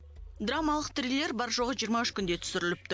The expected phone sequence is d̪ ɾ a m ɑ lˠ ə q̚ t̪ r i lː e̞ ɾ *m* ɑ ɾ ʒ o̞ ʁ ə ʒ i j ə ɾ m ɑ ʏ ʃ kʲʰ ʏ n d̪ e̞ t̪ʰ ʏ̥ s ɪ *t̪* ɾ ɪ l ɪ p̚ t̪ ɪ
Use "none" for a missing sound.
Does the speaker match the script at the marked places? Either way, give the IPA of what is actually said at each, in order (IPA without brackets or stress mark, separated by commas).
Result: b, none